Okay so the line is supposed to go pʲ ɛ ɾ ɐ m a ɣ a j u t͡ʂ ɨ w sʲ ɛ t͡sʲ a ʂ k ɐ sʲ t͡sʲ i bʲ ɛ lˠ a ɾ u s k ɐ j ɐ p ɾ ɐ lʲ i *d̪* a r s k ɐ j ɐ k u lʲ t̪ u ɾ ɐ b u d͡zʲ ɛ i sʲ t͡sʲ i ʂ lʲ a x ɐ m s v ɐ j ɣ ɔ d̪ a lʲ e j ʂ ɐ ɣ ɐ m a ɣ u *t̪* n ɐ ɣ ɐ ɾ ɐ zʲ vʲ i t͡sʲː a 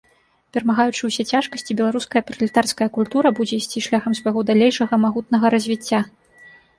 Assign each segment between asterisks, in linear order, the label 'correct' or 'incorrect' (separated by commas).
incorrect, correct